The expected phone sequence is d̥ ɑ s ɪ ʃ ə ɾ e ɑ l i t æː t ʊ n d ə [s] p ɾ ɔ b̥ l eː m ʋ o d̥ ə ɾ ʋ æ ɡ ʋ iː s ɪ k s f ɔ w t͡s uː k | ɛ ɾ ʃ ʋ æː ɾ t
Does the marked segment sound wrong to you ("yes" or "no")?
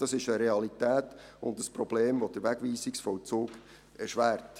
no